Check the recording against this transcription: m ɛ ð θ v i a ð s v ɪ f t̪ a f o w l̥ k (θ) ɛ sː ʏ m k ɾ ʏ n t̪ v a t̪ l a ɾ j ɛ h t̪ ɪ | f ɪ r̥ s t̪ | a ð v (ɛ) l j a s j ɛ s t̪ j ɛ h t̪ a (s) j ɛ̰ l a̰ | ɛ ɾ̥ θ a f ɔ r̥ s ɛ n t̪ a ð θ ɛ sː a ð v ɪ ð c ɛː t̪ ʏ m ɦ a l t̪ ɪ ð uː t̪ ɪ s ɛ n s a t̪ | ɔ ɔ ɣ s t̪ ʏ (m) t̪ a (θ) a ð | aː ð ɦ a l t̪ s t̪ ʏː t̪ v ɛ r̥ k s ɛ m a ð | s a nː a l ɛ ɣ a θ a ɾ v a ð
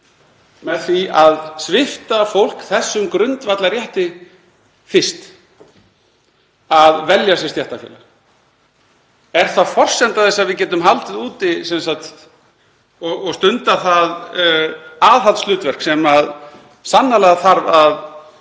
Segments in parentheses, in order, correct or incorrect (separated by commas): correct, correct, incorrect, incorrect, correct